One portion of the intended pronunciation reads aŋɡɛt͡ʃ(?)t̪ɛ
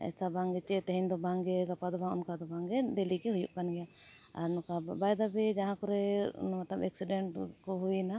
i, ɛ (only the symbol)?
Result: ɛ